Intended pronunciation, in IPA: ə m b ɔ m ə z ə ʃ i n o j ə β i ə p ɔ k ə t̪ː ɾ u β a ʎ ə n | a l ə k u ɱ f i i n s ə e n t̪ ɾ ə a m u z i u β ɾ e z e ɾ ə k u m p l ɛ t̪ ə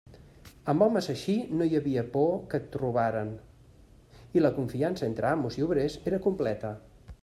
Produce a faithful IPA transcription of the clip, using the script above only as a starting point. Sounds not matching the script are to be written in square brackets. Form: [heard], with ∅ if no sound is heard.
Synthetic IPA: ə m b ɔ m ə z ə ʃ i n o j ə β i ə p ɔ k ə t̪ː ɾ u β a [ɾ] ə n | [i] l ə k u ɱ f i [a] n s ə e n t̪ ɾ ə a m u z i u β ɾ e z e ɾ ə k u m p l ɛ t̪ ə